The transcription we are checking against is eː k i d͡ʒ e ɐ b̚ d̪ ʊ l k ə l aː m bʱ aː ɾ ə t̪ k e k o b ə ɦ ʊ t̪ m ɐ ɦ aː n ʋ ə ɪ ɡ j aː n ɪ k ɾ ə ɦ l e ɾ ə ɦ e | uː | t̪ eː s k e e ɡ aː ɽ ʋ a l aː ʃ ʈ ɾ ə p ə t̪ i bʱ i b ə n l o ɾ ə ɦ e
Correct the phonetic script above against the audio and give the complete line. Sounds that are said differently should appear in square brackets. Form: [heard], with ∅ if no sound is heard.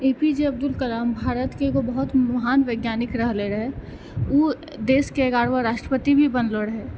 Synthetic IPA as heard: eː [p] i d͡ʒ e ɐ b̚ d̪ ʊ l k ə l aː m bʱ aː ɾ ə t̪ k e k o b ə ɦ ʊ t̪ m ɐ ɦ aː n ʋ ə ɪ ɡ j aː n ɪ k ɾ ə ɦ l e ɾ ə ɦ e | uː | [d̪] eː s k e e ɡ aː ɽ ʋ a [ɾ] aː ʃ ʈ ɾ ə p ə t̪ i bʱ i b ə n l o ɾ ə ɦ e